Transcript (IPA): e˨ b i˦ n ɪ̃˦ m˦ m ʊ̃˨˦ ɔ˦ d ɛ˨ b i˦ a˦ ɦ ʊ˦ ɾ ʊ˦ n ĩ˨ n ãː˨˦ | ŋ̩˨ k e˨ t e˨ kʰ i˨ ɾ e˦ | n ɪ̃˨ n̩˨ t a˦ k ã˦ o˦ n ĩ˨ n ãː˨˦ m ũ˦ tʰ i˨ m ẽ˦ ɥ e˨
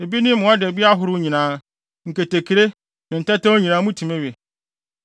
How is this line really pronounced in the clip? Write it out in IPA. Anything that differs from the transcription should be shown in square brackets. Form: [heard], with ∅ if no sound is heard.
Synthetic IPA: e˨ b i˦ n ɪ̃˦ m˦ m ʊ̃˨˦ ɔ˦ d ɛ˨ b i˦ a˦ ɦ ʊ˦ ɾ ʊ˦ [ɲ] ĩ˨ n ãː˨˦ | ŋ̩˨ k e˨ t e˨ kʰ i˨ ɾ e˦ | n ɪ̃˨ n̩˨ t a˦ [t] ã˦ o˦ [ɲ] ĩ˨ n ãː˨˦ m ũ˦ tʰ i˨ m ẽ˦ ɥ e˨